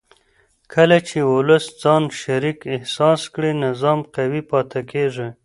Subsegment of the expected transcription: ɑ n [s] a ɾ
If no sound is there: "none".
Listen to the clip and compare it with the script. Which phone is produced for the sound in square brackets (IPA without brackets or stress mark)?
ʃ